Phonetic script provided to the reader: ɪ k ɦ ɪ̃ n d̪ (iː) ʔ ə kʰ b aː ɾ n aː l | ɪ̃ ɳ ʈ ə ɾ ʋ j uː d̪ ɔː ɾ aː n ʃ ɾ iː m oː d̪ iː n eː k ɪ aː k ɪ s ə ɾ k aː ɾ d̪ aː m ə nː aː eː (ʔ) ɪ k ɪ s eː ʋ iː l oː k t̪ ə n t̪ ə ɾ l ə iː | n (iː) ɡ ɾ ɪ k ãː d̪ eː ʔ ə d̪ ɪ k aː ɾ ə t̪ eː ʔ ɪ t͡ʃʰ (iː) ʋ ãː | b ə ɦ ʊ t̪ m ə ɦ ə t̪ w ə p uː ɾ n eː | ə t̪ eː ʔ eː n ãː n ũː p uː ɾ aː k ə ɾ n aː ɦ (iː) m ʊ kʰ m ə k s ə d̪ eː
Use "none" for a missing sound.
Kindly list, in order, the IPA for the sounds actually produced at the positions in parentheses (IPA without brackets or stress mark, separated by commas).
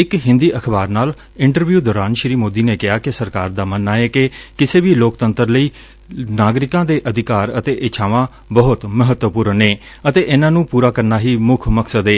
iː, k, aː, aː, iː